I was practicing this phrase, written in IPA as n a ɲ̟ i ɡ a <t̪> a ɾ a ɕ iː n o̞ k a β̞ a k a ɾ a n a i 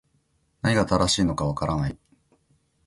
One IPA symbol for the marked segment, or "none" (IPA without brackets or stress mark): t̪